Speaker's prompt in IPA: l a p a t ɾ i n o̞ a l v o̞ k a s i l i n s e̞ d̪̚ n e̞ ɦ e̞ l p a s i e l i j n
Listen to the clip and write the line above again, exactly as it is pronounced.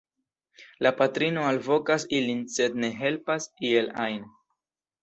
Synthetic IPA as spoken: l a p a t ɾ i n o̞ a l v o̞ k a s i l i n s e̞ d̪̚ n e̞ ɦ e̞ l p a s i e l a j n